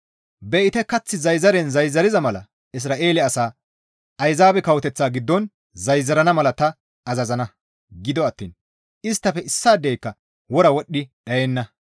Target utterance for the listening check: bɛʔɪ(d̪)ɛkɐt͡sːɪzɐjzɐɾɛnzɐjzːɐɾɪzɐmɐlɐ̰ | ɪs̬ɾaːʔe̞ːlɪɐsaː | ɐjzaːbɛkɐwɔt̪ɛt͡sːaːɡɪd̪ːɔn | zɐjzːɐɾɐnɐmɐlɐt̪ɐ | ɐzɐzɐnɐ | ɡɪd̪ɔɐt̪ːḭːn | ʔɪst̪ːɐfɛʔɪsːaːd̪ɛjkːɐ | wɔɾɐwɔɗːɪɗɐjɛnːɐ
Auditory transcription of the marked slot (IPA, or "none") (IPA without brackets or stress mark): t̪